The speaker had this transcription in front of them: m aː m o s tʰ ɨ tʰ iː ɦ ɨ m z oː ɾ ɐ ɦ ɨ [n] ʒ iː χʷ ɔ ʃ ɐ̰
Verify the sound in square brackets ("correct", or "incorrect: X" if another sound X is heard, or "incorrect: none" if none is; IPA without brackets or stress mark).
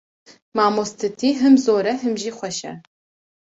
incorrect: m